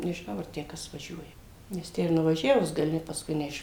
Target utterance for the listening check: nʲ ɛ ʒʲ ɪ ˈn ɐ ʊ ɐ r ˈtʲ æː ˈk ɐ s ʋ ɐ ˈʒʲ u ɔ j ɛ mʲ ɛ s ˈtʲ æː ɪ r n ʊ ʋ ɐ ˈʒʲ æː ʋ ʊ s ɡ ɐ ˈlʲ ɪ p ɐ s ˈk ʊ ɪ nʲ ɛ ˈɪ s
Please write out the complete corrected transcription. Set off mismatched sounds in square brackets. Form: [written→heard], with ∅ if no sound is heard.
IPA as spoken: nʲ ɛ ʒʲ ɪ ˈn ɐ ʊ ɐ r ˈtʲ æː ˈk ɐ s ʋ ɐ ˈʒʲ u ɔ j ɛ [mʲ→nʲ] ɛ s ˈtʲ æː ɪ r n ʊ ʋ ɐ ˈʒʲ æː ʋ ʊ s ɡ ɐ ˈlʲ ɪ p ɐ s ˈk ʊ ɪ nʲ ɛ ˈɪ [s→ʃ]